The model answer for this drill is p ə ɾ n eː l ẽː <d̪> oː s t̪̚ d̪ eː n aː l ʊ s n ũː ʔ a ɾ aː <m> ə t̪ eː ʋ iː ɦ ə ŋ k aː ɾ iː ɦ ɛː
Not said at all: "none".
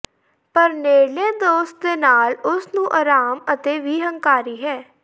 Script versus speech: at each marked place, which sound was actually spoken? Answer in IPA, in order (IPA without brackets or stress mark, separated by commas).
d̪, m